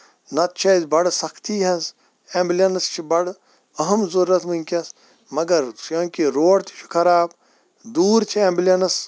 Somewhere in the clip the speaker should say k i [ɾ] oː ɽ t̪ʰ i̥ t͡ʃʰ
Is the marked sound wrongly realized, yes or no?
no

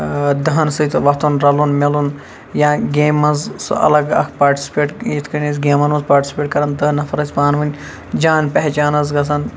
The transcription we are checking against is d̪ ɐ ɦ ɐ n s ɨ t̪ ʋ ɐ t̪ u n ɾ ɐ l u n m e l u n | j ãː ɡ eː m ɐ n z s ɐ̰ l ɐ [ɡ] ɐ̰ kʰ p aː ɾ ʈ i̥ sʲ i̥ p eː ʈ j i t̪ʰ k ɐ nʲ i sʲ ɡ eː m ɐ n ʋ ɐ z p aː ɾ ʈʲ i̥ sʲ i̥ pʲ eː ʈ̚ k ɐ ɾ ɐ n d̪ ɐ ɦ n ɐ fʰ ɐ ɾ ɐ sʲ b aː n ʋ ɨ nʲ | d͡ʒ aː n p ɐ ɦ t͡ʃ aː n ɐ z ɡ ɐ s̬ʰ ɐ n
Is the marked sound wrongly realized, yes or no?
no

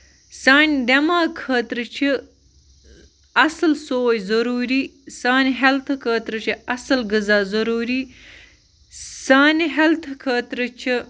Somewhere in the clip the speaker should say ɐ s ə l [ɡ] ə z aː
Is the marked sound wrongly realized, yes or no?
no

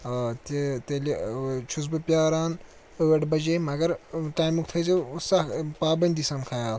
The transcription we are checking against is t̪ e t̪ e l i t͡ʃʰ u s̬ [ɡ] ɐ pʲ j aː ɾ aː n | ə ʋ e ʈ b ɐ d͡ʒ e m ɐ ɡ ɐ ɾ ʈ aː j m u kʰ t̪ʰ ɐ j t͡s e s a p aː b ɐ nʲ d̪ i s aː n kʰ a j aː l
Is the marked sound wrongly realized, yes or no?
yes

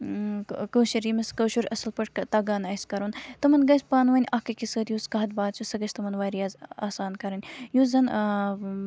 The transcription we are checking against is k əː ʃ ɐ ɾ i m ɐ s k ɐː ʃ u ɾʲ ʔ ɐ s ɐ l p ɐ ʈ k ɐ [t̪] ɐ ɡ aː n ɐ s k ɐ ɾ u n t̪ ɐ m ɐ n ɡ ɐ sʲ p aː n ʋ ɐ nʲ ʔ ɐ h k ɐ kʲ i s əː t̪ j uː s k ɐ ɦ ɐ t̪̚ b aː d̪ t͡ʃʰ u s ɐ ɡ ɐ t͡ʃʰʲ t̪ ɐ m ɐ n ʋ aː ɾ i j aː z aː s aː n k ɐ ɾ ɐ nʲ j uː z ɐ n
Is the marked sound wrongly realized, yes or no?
no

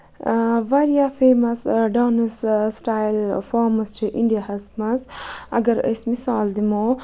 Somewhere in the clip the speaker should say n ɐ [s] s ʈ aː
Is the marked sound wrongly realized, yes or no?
no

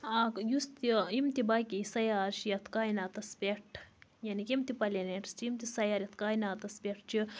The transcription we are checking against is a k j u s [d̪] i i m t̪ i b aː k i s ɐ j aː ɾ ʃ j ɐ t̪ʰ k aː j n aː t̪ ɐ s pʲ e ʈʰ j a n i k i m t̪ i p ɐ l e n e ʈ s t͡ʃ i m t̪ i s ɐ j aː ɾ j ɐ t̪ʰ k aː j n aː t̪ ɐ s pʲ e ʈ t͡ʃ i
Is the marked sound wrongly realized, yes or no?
yes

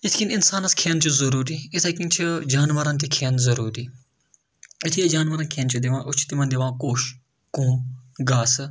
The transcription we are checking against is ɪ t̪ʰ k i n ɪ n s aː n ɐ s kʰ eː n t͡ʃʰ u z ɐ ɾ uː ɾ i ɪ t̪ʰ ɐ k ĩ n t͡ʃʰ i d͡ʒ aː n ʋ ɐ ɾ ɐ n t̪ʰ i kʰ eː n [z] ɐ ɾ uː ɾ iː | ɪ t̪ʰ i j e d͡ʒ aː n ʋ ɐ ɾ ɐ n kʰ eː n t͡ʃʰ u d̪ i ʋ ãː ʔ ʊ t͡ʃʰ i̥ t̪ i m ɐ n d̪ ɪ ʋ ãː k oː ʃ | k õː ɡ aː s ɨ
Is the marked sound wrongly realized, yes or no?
no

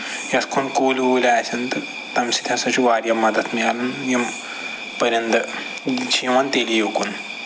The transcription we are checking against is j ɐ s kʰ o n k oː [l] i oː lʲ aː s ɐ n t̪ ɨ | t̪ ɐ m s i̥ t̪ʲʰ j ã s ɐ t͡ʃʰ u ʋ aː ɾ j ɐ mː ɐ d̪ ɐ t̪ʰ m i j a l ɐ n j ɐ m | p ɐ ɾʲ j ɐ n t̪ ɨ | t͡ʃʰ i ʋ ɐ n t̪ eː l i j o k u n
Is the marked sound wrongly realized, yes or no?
no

